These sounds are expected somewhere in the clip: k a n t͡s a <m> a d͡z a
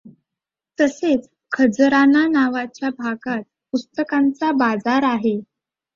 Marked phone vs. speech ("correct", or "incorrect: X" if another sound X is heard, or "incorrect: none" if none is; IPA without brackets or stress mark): incorrect: b